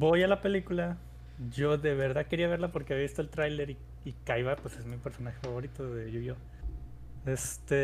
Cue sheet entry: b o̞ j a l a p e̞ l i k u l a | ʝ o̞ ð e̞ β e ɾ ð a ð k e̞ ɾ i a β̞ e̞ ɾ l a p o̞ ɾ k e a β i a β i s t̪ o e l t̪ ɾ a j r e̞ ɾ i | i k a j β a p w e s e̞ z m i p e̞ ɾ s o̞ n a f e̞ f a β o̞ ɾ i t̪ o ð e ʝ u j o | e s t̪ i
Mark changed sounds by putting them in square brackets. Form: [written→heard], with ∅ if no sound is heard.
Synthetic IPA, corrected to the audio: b o̞ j a l a p e̞ l i k u l a | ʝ o̞ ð e̞ β e ɾ ð a ð k e̞ ɾ i a β̞ e̞ ɾ l a p o̞ ɾ k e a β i a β i s t̪ o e l t̪ ɾ a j [r→l] e̞ ɾ i | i k a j β a p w e s e̞ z m i p e̞ ɾ s o̞ n a [f→x] e̞ f a β o̞ ɾ i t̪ o ð e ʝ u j o | e s t̪ [i→e]